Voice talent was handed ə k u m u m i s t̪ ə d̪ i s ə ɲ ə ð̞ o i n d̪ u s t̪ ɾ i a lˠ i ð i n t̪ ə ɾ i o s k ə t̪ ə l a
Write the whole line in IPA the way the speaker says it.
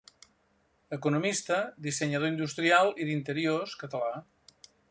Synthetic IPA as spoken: ə k u n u m i s t̪ ə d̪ i s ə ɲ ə ð̞ o i n d̪ u s t̪ ɾ i a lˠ i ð i n t̪ ə ɾ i o s k ə t̪ ə l a